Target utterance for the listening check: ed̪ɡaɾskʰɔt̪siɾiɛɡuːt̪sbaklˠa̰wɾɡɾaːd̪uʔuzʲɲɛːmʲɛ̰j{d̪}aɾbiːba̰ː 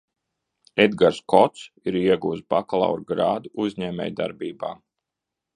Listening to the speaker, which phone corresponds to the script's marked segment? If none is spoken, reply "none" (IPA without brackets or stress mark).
d̪